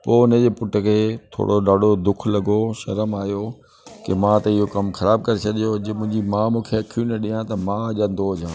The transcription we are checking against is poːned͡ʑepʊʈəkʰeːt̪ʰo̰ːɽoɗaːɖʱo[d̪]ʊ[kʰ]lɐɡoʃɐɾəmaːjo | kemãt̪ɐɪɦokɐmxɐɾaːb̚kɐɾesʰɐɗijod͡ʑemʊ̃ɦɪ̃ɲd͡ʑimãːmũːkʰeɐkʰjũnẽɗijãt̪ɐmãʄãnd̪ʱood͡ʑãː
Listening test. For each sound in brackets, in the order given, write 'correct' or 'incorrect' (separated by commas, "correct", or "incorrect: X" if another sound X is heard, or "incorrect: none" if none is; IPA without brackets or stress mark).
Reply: correct, correct